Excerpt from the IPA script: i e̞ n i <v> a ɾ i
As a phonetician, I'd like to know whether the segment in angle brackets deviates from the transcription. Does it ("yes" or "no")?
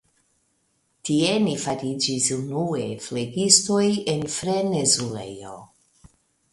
yes